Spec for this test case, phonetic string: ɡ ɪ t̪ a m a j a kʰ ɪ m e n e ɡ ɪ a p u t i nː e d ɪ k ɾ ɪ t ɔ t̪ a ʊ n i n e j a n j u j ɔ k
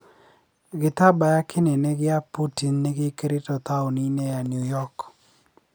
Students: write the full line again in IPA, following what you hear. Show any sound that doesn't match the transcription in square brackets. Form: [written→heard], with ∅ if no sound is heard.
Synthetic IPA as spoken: ɡ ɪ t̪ a [m→b] a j a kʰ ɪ [m→n] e n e ɡ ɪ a p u t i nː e [d→ɡ] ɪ k ɾ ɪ t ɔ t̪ a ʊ n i n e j a n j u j ɔ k